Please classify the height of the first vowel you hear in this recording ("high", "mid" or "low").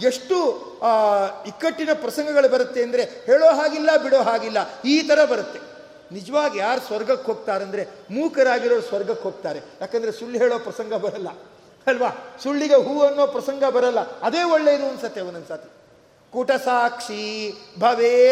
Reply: mid